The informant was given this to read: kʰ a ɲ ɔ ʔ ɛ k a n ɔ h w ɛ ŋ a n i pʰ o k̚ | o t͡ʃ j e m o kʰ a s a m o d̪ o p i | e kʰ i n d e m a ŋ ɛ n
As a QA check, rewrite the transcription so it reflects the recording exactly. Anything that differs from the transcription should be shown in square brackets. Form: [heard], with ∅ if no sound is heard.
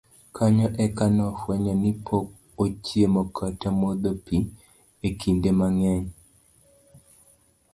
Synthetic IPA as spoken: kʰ a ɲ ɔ ʔ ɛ k a n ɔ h w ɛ [ɲ] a n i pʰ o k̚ | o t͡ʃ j e m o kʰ a [t] a m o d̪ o p i | e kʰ i n d e m a ŋ ɛ [ɲ]